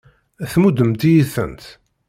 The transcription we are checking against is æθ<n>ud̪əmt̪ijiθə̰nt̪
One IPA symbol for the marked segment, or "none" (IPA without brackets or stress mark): m